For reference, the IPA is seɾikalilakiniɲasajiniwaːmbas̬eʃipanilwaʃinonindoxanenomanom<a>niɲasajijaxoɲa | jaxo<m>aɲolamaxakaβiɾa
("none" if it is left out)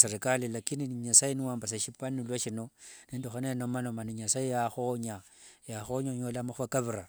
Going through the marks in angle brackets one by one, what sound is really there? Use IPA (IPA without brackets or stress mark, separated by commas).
a, ɲ